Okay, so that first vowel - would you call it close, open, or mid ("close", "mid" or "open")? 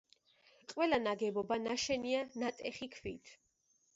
mid